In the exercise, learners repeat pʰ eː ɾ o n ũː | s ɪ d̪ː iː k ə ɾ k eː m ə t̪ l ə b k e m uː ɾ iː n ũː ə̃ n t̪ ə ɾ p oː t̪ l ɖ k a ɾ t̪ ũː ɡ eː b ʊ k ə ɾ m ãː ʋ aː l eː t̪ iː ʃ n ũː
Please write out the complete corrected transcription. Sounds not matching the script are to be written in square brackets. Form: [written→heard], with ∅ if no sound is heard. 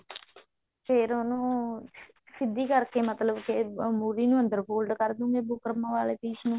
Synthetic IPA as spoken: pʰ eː ɾ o n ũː | s ɪ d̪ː iː k ə ɾ k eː m ə t̪ l ə b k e m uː ɾ iː n ũː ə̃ n [t̪→d̪] ə ɾ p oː [t̪→∅] l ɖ k [a→ə] ɾ [t̪→d̪] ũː ɡ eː b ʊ k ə ɾ m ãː ʋ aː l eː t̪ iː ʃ n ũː